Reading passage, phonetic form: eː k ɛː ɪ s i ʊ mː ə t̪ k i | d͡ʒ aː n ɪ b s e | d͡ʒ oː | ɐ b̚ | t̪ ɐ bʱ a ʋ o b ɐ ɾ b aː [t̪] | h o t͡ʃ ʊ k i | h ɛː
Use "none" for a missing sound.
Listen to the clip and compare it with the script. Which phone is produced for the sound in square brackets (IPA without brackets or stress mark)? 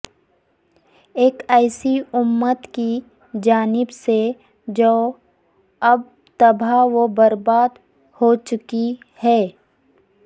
d̪